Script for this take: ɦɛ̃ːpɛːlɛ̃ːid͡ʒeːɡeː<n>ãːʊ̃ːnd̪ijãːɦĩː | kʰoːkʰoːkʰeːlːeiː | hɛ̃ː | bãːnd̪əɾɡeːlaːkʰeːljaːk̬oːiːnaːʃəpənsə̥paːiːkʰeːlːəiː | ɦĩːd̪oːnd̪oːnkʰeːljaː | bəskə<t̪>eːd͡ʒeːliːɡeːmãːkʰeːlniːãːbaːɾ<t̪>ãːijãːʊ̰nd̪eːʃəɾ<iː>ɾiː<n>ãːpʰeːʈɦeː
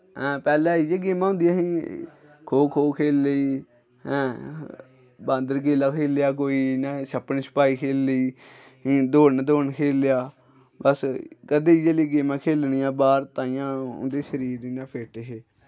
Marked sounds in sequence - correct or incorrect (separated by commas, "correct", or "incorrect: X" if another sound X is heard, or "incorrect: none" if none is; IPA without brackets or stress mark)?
incorrect: m, incorrect: d̪, correct, correct, correct